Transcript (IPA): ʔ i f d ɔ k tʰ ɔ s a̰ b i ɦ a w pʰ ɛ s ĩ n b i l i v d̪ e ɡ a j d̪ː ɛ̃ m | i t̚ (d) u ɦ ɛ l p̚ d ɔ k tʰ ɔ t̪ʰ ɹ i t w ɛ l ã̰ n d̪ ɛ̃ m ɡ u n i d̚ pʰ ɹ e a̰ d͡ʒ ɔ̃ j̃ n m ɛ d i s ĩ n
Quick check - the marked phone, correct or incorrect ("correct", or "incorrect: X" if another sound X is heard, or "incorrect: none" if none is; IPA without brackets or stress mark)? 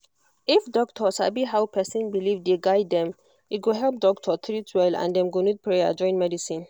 incorrect: ɡ